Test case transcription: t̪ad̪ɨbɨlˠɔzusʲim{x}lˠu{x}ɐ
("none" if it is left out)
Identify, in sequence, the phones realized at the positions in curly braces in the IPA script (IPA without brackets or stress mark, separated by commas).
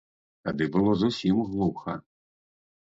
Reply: ɣ, x